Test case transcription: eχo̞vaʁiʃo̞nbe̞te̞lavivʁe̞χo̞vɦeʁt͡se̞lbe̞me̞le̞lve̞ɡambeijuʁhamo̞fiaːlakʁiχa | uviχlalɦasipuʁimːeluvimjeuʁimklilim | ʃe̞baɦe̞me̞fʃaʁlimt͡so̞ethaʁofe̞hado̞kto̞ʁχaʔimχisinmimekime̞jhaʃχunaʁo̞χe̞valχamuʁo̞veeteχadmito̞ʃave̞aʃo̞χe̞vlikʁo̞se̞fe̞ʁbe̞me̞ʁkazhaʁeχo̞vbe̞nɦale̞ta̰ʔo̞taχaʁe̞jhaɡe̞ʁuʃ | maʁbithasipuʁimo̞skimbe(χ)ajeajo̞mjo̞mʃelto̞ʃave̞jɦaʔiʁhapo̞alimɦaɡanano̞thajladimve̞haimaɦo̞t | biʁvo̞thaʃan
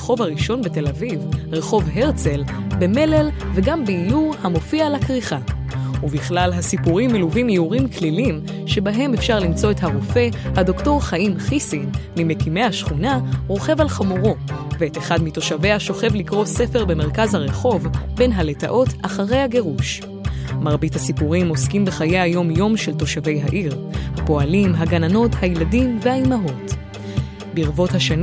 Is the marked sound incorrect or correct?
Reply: correct